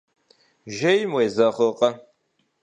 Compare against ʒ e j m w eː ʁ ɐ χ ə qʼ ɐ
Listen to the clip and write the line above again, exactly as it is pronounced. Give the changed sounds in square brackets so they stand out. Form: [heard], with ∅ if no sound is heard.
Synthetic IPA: ʒ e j m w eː [z] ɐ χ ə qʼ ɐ